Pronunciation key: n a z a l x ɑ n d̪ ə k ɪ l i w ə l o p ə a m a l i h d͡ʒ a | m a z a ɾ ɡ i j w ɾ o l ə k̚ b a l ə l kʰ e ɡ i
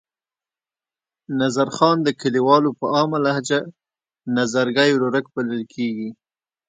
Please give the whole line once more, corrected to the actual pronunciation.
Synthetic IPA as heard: n a z a ɾ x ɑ n d̪ ə k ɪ l i w ɑ l o p ə ɑ m a l a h d͡ʒ a | n a z a ɾ ɡ a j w ɾ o ɾ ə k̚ b a l ə l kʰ e ɡ i